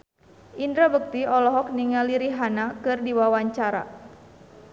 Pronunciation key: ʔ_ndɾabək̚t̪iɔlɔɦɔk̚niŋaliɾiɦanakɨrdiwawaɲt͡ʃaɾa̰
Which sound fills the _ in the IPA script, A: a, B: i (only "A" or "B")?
B